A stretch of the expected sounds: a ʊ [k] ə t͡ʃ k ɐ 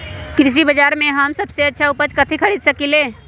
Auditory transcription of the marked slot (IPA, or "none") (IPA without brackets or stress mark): p